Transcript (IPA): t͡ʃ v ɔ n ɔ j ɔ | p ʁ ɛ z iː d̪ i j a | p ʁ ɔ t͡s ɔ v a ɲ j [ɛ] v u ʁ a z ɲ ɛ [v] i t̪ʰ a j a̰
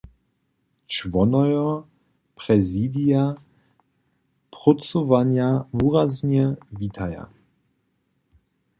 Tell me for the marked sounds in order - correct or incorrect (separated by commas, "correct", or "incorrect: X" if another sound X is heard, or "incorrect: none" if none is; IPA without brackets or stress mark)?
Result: incorrect: a, correct